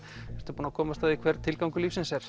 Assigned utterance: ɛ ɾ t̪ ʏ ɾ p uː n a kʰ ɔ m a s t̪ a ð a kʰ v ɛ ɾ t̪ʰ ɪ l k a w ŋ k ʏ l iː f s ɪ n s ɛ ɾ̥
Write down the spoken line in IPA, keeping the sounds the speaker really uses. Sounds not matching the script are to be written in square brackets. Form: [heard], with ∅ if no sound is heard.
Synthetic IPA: ɛ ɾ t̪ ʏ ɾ p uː n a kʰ [ɔː] m a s t̪ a ð [i] kʰ v ɛ ɾ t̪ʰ ɪ l k a w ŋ k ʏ l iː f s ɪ n s ɛ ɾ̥

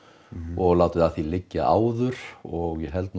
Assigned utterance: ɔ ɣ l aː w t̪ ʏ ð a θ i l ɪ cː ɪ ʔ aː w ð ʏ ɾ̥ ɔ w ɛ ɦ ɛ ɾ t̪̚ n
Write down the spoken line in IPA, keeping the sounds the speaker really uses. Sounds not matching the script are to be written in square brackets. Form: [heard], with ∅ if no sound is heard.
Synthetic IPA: ɔ ɣ l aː w t̪ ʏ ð a θ i l ɪ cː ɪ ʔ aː w ð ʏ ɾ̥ ɔ [ɣ] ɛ ɦ ɛ [l] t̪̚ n

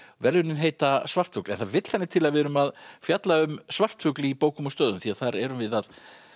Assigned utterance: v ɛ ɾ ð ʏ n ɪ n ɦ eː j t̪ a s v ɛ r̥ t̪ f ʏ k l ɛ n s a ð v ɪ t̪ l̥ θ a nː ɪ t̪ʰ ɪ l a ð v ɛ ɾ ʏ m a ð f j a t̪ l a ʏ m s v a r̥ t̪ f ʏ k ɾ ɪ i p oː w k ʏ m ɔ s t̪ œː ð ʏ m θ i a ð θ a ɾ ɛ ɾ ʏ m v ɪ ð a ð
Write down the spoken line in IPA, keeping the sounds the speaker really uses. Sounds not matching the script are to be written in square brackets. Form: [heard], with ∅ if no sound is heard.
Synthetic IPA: v ɛ ɾ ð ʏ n ɪ n ɦ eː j t̪ a s v [a] r̥ t̪ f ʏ k l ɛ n [θ] a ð v ɪ t̪ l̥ θ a nː ɪ t̪ʰ ɪ l a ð v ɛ ɾ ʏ m a ð f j a t̪ l a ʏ m s v a r̥ t̪ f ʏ k [l] ɪ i p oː w k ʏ m ɔ s t̪ œː ð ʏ m θ i a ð θ a ɾ ɛ ɾ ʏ m v ɪ ð a ð

